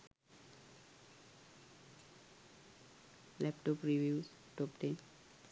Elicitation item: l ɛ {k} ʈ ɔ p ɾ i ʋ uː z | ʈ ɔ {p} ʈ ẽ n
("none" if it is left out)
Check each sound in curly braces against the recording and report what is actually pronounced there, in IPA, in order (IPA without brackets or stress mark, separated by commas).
p, p